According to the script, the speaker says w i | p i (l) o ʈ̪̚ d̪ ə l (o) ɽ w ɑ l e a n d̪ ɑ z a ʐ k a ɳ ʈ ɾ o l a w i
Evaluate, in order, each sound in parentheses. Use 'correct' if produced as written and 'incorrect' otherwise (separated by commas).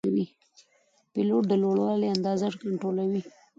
correct, correct